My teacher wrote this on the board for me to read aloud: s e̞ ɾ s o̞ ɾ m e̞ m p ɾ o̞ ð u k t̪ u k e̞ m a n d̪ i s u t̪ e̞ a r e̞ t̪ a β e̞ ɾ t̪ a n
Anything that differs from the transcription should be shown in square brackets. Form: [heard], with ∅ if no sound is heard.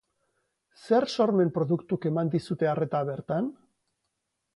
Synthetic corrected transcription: s e̞ ɾ s o̞ ɾ m e̞ m p ɾ o̞ ð u k t̪ u k e̞ m a n d̪ i s u t̪ e̞ a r e̞ t̪ a β e̞ ɾ t̪ a n